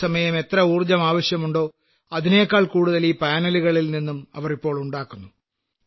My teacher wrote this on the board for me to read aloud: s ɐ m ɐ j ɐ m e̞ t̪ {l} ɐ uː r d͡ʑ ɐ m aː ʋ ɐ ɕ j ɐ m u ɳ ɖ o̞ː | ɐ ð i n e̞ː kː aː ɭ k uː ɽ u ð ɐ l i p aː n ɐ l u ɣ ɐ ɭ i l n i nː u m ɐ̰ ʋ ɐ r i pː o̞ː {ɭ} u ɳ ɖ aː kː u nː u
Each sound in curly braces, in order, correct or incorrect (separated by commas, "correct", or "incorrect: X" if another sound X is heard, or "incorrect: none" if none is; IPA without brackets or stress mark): incorrect: r, correct